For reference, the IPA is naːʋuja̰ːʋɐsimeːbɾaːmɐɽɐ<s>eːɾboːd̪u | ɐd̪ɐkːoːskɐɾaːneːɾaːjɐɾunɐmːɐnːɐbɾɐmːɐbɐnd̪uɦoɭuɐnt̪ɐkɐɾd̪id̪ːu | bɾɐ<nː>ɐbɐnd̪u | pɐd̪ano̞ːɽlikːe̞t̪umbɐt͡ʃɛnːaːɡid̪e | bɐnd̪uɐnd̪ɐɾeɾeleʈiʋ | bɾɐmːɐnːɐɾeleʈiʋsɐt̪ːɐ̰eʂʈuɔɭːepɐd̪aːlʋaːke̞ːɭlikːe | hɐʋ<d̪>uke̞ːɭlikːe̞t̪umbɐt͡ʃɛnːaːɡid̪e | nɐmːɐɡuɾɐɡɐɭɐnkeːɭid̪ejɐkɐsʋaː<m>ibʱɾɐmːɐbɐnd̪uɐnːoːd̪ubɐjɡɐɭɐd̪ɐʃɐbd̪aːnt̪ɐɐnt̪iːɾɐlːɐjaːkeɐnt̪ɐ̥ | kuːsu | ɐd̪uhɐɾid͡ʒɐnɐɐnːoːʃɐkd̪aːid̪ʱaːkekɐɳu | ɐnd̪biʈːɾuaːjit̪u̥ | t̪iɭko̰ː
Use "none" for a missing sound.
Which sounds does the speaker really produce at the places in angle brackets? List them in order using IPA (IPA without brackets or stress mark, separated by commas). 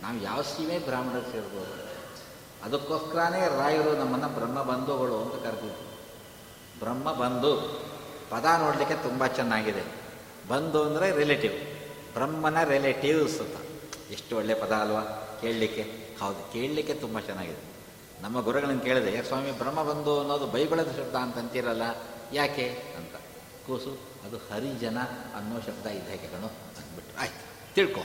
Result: s, mː, d̪, m